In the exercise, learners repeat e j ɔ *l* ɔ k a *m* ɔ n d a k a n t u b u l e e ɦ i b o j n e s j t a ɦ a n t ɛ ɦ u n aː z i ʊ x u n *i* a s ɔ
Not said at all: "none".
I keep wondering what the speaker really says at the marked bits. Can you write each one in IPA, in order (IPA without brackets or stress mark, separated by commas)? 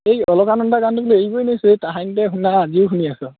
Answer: l, n, i